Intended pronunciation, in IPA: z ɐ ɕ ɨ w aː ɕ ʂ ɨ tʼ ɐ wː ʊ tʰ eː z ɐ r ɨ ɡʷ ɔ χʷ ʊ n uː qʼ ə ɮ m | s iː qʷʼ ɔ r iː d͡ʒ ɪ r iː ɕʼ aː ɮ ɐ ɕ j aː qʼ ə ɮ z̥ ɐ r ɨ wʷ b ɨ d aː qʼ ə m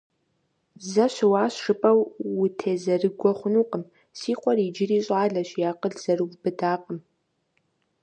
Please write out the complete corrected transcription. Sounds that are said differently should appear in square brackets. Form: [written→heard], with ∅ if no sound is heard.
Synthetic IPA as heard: z ɐ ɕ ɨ w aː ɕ ʂ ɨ [tʼ→pʼ] ɐ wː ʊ tʰ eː z ɐ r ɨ ɡʷ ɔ χʷ ʊ n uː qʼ ə [ɮ→∅] m | s iː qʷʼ ɔ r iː d͡ʒ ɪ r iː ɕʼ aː ɮ ɐ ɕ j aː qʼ ə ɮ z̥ ɐ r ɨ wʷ b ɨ d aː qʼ ə m

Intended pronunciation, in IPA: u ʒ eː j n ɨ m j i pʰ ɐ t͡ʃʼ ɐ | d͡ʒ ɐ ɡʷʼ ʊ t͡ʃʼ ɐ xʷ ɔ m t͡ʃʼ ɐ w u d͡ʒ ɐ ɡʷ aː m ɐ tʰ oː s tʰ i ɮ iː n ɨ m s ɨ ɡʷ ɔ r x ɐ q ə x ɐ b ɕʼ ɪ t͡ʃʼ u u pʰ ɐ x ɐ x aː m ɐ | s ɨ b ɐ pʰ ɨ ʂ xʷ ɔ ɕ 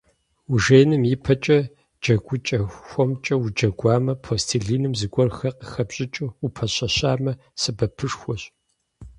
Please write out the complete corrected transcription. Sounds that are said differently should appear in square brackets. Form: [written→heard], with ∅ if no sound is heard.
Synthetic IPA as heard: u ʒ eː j n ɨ m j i pʰ ɐ t͡ʃʼ ɐ | d͡ʒ ɐ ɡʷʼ ʊ t͡ʃʼ ɐ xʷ ɔ m t͡ʃʼ ɐ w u d͡ʒ ɐ ɡʷ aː m ɐ [tʰ→pʰ] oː s tʰ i ɮ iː n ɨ m [s→z] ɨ ɡʷ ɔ r x ɐ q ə x ɐ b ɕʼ ɪ t͡ʃʼ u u pʰ ɐ [x→ɕ] ɐ [x→ɕ] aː m ɐ | s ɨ b ɐ pʰ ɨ ʂ xʷ ɔ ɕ

